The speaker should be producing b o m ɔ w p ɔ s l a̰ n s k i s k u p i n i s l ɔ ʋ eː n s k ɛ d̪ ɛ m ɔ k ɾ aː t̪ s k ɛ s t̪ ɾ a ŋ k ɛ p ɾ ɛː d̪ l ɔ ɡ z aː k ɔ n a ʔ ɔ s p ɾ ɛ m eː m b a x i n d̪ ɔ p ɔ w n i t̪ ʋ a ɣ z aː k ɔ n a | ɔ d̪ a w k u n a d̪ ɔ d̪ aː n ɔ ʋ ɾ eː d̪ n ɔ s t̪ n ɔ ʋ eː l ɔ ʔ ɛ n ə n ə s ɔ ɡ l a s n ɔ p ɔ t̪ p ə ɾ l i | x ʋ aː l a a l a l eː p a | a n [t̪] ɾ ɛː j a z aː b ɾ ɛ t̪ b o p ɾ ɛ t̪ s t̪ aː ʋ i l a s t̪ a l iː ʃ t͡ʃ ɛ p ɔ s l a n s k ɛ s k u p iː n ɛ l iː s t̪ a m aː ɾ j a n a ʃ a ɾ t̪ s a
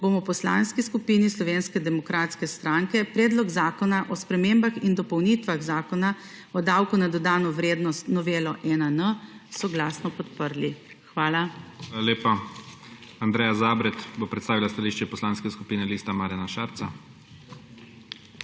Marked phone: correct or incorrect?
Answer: incorrect